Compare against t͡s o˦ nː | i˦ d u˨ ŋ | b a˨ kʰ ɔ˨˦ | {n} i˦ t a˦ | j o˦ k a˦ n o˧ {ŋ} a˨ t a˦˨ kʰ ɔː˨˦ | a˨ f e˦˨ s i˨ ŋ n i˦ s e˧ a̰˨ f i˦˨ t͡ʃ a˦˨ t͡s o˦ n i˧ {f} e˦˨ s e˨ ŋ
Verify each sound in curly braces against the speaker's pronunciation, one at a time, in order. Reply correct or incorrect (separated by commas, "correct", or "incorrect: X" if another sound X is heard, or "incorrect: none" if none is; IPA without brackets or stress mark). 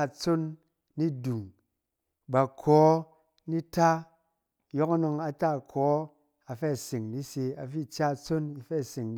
correct, correct, correct